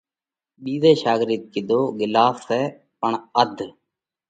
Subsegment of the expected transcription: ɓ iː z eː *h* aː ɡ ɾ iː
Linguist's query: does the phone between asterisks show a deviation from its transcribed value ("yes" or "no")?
yes